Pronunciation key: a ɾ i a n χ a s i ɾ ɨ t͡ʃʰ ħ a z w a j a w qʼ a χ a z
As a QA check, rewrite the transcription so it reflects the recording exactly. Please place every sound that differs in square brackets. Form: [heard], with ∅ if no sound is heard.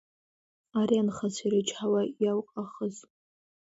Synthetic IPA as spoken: a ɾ i a n χ a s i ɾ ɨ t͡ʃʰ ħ a [∅] w a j a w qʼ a χ [ə] z